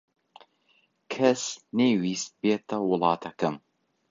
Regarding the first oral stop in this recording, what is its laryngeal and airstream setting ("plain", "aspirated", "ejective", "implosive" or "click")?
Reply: aspirated